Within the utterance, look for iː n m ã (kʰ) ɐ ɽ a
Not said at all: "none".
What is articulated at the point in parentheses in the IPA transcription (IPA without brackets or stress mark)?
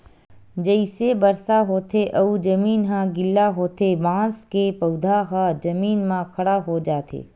kʰ